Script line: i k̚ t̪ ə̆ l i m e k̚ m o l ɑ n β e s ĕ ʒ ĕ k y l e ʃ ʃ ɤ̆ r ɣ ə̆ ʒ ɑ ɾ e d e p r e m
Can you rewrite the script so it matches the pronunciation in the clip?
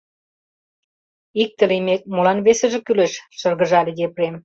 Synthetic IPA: i k̚ t̪ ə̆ l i m e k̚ m o l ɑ n β e s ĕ ʒ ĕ k y l e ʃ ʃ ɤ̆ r ɣ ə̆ ʒ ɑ l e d e p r e m